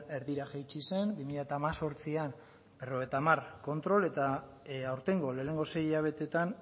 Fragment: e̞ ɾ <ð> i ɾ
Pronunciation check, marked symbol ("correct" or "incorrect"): correct